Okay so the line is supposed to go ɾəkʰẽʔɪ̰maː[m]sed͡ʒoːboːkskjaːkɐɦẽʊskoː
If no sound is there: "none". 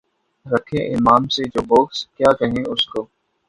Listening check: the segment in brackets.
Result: m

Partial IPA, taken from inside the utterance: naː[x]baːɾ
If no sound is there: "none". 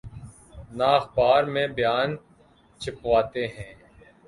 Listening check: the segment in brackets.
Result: x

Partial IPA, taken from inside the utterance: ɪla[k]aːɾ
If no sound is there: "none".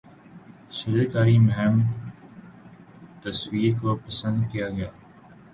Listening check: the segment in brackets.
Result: k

